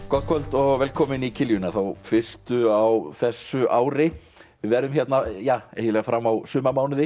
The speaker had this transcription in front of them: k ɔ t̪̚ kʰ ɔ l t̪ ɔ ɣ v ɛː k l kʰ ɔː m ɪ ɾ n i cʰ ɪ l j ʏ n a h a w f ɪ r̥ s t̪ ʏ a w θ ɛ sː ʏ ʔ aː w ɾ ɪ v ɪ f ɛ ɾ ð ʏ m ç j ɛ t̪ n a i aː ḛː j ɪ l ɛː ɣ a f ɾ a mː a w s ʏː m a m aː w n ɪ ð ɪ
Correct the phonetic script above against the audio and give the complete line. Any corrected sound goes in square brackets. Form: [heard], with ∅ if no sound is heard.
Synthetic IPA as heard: k ɔ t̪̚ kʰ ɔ l t̪ ɔ ɣ v ɛː [∅] l kʰ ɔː m ɪ [∅] n i cʰ ɪ l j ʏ n a [θ] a w f ɪ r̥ s t̪ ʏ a w θ ɛ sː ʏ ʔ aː w ɾ ɪ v ɪ [v] ɛ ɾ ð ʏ m ç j ɛ t̪ n a [j] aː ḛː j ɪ l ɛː ɣ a f ɾ a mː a w s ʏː m a m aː w n ɪ ð ɪ